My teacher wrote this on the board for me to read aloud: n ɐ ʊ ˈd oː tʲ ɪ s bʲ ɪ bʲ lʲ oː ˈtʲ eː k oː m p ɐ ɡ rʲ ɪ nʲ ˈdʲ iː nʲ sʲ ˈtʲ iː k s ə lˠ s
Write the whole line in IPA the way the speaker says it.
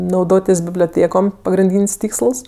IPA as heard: n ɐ ʊ ˈd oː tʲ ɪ s bʲ ɪ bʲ lʲ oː ˈtʲ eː k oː m p ɐ ɡ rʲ ɪ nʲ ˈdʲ iː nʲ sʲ ˈtʲ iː k s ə lˠ s